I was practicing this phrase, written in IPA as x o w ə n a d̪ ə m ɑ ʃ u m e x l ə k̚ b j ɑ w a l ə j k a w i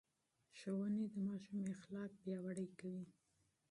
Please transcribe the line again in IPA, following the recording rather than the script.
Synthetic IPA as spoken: ʃ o w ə n e d̪ ə m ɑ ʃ u m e x l ɑ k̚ b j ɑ w a ɽ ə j k a w i